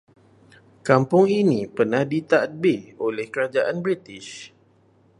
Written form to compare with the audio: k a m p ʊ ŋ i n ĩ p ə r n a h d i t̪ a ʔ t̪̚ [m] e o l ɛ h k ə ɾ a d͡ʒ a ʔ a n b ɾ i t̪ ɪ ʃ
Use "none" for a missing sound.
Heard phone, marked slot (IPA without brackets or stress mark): b